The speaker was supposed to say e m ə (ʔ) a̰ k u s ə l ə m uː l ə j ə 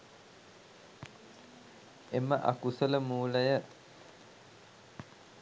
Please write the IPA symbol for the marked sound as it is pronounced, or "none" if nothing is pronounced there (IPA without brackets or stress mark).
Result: ʔ